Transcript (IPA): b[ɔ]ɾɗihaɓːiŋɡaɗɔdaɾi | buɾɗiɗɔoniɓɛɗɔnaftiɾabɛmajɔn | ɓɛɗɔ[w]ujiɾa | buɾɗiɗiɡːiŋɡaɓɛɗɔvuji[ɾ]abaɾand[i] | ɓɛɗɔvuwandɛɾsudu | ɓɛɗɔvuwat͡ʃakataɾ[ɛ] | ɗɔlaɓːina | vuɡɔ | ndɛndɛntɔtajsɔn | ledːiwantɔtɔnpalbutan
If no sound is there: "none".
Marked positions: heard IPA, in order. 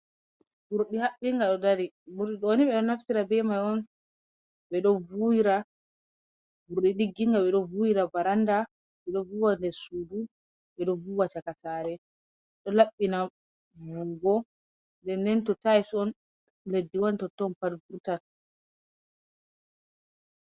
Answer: u, v, ɾ, a, ɛ

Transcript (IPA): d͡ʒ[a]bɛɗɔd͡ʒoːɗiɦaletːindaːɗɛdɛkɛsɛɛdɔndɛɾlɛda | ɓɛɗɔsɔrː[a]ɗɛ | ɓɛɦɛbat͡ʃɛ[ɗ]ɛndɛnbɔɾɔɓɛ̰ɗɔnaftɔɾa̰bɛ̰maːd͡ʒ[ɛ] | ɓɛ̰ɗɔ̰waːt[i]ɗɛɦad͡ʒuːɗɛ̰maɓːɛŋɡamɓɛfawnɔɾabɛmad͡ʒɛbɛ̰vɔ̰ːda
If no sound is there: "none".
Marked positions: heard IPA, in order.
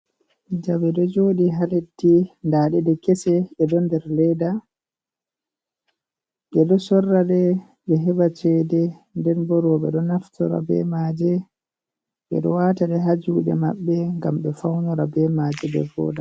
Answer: a, a, d, ɛ, a

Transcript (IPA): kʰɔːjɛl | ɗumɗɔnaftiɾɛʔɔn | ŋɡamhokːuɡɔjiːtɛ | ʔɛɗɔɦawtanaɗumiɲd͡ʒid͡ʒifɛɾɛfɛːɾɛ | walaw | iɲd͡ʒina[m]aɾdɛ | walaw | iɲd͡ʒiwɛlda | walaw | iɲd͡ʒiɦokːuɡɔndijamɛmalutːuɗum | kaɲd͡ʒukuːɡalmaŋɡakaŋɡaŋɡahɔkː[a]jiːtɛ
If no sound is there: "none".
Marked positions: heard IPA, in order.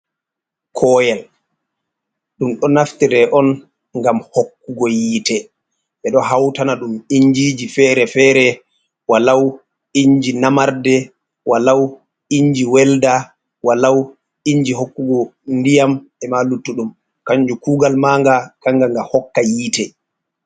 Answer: m, a

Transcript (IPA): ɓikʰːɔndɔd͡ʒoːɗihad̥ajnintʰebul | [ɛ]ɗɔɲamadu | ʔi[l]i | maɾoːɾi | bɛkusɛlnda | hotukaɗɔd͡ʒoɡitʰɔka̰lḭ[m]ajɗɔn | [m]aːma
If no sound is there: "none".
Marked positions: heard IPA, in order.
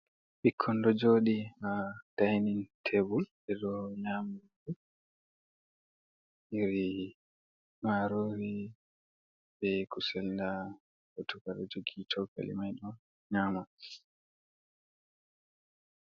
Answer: ɛ, ɾ, m, ɲ

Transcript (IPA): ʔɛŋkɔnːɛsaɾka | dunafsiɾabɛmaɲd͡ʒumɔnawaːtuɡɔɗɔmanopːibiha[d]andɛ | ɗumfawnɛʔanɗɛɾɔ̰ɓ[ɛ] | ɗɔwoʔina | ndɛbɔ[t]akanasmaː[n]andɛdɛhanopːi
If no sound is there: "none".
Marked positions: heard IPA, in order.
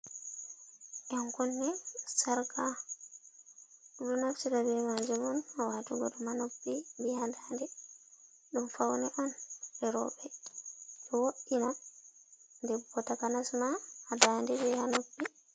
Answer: d, ɛ, t, d

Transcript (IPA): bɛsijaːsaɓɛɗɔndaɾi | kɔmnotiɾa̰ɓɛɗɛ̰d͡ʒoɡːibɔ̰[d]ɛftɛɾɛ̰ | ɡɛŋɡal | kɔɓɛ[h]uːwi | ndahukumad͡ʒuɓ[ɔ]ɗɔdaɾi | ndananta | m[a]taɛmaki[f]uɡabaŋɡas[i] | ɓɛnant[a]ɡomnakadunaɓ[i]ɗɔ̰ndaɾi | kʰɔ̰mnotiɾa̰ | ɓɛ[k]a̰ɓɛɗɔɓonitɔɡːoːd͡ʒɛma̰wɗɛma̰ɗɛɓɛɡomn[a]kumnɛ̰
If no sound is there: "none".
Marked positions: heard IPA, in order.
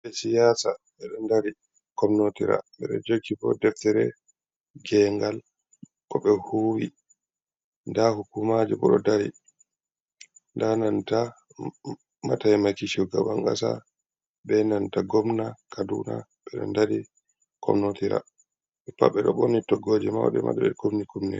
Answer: d, h, ɔ, a, ʃ, a, a, ɛ, p, i

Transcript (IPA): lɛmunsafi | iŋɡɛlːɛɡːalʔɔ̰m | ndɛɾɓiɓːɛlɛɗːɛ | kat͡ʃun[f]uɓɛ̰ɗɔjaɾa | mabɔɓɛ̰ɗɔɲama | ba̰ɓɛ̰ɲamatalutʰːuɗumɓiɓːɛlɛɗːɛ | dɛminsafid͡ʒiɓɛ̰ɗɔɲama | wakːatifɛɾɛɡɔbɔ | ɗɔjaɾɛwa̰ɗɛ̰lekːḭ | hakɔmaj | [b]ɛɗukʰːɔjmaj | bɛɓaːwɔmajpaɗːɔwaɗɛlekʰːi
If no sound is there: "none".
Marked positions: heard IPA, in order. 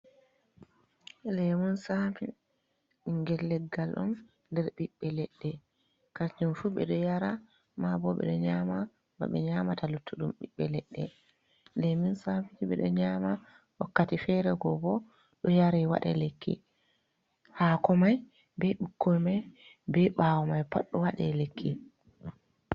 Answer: f, b

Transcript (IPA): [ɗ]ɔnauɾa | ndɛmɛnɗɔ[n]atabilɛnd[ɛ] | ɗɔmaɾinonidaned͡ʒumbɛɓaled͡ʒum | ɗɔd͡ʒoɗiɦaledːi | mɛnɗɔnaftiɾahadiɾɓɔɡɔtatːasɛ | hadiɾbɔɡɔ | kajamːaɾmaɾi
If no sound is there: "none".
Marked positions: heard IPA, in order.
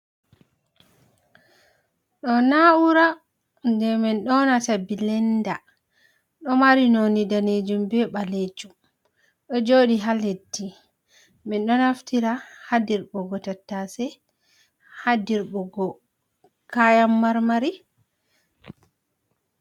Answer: ɗ, n, a

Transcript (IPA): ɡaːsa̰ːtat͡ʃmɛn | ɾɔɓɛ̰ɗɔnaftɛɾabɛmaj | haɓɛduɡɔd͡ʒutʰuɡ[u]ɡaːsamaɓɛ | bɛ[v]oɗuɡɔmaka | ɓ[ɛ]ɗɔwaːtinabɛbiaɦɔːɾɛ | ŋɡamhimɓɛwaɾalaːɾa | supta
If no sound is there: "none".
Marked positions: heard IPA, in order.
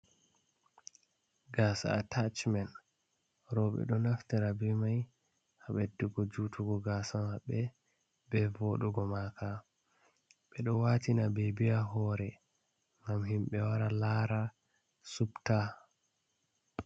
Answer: ɔ, v, ɛ

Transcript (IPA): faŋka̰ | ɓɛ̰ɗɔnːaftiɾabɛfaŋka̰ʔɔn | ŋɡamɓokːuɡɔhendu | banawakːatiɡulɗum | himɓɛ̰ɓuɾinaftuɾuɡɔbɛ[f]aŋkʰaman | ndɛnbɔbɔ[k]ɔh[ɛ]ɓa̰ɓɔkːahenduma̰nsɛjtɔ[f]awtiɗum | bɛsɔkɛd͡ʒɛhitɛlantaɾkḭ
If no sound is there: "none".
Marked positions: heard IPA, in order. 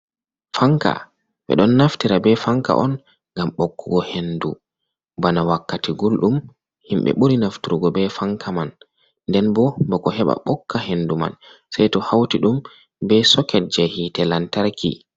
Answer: f, k, ɛ, h

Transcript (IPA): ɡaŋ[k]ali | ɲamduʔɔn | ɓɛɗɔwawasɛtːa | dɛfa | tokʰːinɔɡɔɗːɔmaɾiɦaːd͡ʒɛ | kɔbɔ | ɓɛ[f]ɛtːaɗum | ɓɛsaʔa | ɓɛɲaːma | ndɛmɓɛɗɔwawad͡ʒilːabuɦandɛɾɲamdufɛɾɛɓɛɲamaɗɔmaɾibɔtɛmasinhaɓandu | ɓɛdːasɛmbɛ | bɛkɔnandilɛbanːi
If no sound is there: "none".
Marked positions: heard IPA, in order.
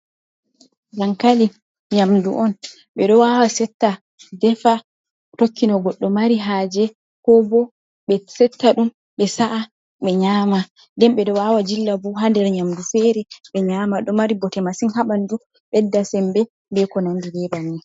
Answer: k, s

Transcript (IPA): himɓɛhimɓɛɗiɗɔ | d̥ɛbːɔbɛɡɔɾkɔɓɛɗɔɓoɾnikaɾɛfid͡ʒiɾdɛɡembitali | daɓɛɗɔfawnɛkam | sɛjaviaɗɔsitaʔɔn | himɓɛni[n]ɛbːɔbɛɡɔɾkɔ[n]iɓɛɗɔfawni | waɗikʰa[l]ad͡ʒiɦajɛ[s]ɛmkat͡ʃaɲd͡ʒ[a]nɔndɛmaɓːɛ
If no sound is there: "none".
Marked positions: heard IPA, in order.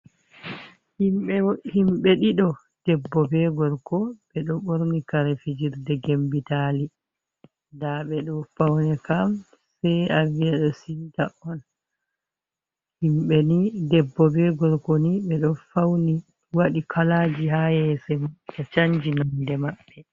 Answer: d, n, l, s, i

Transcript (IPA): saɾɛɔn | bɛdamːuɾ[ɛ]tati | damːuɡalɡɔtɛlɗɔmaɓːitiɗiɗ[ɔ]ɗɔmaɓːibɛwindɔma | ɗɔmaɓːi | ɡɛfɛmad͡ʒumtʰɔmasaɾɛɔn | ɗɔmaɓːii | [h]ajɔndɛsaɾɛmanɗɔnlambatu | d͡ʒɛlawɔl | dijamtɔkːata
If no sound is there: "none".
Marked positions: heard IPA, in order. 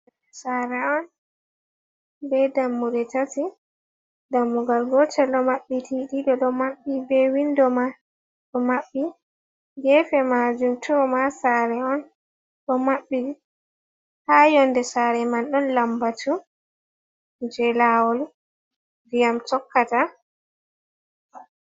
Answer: ɛ, ɔ, h

